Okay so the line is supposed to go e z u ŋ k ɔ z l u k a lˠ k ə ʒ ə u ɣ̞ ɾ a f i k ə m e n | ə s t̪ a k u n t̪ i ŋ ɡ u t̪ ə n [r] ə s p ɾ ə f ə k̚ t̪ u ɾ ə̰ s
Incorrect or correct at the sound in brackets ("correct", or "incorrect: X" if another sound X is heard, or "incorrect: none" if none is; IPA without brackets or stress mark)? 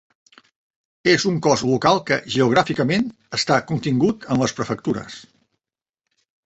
incorrect: l